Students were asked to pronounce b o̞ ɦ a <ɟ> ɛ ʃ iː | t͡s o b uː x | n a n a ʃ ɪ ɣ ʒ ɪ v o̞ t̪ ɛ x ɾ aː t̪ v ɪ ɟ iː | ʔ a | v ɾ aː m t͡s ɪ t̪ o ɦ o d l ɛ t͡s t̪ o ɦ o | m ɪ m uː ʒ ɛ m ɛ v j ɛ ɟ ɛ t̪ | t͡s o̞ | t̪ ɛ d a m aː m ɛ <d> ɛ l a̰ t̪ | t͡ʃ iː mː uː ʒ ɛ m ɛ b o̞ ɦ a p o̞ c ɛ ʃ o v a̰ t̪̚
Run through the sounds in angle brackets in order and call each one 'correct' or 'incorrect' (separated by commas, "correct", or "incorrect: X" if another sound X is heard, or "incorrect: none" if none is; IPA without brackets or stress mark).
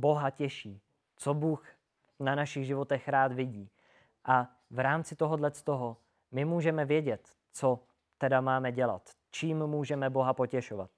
incorrect: c, incorrect: ɟ